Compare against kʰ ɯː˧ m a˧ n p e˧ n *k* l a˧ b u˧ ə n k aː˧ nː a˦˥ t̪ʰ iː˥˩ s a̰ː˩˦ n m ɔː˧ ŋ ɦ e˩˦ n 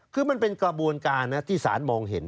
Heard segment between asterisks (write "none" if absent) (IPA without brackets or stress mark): k